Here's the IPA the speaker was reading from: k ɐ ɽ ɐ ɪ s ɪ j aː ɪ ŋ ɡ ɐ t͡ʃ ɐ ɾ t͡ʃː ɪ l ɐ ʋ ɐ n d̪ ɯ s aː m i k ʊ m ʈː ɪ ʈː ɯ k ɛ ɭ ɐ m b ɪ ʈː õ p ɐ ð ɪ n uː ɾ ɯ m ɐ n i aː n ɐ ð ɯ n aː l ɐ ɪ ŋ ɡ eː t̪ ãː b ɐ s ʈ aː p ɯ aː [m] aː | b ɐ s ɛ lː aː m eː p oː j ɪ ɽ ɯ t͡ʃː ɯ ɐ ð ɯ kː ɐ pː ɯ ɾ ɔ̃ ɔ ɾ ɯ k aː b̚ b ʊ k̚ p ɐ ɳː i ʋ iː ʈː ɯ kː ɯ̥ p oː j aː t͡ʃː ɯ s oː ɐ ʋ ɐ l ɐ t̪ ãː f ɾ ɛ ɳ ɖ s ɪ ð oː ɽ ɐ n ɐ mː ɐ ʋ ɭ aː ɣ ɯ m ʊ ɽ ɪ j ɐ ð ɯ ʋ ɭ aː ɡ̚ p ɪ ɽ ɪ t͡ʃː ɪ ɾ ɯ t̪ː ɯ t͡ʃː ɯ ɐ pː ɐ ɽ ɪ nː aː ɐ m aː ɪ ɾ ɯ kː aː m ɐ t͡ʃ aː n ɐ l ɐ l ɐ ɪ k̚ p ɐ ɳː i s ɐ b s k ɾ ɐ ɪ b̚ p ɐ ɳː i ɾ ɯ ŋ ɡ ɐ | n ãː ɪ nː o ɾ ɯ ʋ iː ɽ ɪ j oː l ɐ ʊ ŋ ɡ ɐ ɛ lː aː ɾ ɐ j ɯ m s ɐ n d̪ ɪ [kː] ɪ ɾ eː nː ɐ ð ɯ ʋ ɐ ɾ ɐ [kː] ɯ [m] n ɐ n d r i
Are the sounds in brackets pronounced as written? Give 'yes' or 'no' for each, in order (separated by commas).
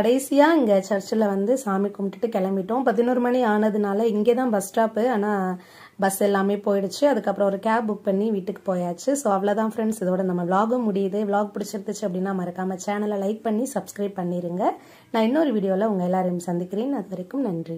no, yes, yes, yes